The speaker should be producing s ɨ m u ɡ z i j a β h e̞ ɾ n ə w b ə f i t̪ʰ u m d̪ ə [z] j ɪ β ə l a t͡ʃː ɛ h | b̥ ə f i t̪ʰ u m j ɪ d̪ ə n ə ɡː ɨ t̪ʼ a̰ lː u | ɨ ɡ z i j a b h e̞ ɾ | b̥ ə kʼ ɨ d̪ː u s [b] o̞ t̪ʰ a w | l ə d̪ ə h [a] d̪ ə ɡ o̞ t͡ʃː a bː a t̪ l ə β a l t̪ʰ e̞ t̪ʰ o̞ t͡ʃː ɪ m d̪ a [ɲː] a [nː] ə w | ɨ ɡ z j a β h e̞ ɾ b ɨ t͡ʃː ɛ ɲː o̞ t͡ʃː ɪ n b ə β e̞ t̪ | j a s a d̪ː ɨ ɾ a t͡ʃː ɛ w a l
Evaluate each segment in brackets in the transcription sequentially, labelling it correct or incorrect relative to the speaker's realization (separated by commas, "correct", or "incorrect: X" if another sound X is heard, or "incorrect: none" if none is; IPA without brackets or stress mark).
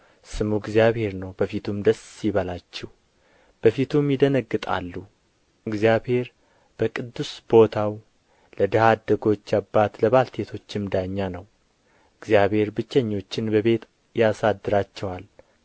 incorrect: s, correct, correct, correct, incorrect: n